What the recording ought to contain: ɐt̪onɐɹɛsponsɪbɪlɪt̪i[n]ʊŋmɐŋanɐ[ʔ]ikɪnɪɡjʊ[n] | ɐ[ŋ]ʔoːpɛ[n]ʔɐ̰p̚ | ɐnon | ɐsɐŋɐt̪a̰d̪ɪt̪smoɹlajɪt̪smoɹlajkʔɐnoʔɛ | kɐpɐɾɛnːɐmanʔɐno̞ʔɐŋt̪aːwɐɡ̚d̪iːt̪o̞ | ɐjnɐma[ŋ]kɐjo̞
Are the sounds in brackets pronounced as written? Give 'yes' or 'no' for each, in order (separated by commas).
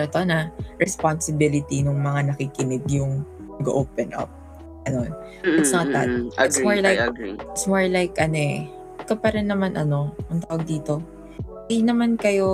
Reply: yes, no, no, no, yes, no